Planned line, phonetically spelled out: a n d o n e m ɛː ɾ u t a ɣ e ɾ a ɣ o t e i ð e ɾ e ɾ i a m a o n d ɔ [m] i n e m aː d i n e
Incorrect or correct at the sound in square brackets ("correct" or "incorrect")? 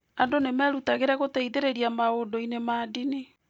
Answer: incorrect